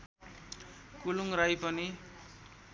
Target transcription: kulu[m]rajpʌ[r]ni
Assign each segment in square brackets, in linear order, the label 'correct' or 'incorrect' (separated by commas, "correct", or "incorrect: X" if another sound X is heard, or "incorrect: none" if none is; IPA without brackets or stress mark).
incorrect: ŋ, incorrect: none